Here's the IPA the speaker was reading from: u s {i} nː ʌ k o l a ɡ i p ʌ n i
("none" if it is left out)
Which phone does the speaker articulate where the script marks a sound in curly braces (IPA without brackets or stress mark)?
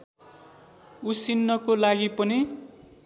i